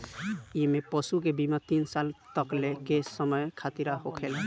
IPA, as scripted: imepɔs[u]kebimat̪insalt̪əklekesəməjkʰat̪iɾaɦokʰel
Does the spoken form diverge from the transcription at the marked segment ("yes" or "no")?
no